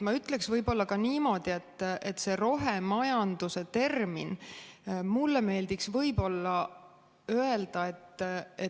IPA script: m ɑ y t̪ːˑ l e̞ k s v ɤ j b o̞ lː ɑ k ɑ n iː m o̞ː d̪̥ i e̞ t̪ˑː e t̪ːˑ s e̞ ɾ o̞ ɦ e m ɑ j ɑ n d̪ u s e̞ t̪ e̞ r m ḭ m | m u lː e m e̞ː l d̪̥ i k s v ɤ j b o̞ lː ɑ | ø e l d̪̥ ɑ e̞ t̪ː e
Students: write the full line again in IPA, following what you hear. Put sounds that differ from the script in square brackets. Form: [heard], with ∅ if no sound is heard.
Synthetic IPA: m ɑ y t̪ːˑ l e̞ k s v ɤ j b o̞ lː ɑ k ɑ n iː m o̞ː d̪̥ i e̞ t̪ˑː e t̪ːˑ s e̞ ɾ o̞ ɦ e m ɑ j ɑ n d̪ u s e̞ t̪ e̞ r m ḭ [n] | m u lː e m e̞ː l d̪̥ i k s v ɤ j b o̞ lː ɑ | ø e l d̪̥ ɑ e̞ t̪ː e